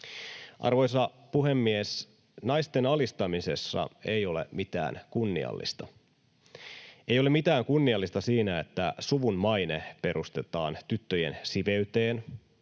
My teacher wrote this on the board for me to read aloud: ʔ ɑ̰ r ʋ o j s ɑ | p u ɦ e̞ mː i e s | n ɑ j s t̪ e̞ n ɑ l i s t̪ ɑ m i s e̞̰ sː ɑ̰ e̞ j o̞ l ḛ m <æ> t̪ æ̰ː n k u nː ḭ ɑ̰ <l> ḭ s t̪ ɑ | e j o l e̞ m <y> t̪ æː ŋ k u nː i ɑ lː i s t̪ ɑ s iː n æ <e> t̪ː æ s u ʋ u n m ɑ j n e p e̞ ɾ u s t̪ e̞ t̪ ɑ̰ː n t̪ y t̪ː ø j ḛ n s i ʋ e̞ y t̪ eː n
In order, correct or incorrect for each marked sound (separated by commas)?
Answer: incorrect, incorrect, incorrect, correct